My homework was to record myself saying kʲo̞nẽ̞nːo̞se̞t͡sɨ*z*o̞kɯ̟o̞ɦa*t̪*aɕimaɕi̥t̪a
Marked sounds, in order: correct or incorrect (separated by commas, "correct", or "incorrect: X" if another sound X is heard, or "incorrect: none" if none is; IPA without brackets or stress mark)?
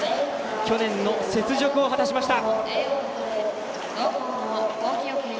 incorrect: ʑ, correct